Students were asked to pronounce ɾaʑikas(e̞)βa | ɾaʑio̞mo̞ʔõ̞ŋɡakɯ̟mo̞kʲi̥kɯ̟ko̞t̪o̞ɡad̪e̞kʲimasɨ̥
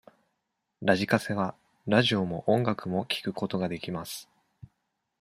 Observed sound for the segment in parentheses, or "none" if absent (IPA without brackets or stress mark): e̞